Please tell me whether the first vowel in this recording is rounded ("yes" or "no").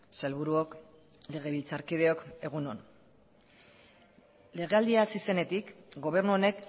no